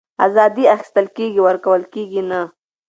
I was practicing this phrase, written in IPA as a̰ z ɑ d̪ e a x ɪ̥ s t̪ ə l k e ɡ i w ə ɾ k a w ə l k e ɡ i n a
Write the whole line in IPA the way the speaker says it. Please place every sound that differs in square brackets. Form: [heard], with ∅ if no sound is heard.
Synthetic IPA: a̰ z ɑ d̪ [i] a x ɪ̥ s t̪ ə l k e ɡ i w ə ɾ k a w ə l k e ɡ i n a